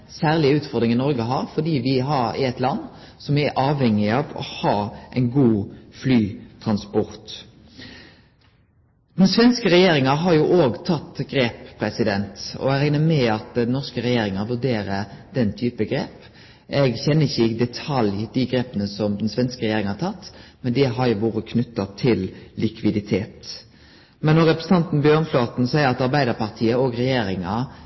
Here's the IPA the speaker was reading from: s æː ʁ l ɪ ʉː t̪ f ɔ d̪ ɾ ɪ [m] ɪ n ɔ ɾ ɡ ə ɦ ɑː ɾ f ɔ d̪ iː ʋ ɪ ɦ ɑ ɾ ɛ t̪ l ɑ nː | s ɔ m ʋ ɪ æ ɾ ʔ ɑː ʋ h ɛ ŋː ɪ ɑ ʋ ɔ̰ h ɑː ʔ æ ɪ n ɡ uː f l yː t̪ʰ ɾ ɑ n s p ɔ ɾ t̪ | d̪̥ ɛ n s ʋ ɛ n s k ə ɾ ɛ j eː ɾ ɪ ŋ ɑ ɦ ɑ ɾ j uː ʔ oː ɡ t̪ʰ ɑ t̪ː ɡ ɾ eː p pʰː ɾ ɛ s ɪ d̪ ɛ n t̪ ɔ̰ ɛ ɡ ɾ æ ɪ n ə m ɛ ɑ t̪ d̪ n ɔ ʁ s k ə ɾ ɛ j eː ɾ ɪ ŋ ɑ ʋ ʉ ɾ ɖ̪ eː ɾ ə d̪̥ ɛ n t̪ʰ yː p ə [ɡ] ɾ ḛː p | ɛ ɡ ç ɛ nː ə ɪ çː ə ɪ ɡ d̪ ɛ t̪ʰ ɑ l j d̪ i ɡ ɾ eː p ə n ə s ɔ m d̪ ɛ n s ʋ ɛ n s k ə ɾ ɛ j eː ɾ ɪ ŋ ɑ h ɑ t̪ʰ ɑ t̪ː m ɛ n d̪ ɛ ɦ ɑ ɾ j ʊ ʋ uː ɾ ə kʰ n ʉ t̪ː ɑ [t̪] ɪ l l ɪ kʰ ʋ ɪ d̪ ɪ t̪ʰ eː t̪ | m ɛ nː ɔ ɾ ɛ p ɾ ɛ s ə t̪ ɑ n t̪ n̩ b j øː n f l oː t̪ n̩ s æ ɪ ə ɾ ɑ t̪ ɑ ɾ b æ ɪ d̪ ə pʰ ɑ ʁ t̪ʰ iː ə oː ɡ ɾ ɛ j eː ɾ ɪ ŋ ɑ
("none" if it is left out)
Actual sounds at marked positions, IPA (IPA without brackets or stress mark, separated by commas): ŋ, ɡ, t̪ʰ